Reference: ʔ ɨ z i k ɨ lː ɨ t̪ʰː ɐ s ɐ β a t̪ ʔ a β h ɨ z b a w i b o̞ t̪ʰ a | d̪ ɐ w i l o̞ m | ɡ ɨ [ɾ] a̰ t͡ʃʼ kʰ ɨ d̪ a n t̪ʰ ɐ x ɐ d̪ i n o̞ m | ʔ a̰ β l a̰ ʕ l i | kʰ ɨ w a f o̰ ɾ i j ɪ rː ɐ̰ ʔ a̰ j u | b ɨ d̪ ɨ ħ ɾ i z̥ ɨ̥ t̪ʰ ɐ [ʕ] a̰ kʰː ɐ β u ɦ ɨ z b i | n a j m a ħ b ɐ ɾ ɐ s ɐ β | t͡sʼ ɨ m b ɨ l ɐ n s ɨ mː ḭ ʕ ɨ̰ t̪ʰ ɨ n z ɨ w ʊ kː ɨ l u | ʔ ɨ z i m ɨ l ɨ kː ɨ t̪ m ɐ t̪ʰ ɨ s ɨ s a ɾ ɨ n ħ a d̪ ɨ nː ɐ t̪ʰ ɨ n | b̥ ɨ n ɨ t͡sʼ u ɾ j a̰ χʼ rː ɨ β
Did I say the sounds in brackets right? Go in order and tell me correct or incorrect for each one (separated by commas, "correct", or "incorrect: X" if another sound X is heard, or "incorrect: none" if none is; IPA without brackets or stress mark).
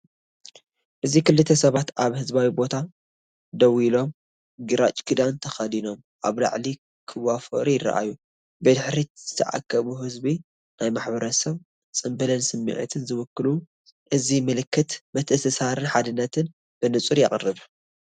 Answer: correct, correct